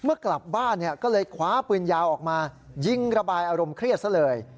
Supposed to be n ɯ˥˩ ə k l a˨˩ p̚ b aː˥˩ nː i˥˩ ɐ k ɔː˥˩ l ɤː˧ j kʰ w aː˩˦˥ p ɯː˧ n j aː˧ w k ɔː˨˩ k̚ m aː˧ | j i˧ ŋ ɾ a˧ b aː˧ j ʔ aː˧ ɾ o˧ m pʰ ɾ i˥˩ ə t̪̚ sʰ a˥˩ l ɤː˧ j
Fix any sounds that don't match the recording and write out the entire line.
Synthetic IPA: m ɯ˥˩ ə k l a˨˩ p̚ b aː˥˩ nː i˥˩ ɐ k ɔː˥˩ l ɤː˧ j kʰ w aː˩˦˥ p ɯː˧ n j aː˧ w ʔ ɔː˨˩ k̚ m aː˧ | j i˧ ŋ ɾ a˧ b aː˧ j ʔ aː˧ ɾ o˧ m kʰ ɾ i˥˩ ə t̪̚ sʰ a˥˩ l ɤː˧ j